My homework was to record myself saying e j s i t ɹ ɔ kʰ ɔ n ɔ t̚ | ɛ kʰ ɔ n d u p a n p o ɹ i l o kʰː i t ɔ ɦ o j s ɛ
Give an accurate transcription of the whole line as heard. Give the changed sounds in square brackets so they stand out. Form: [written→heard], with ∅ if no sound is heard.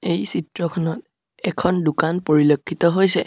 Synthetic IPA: e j s i t ɹ ɔ kʰ ɔ n ɔ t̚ | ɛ kʰ ɔ n d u [p→k] a n p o ɹ i l o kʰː i t ɔ ɦ o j s ɛ